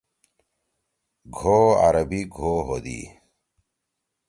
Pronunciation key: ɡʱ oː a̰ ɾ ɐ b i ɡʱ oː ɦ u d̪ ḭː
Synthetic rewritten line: ɡʱ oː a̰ ɾ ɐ b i ɡʱ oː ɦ o d̪ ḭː